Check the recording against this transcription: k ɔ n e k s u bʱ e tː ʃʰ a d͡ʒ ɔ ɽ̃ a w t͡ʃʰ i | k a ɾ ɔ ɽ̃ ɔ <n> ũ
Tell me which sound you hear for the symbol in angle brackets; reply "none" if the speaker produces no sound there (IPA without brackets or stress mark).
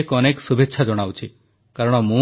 m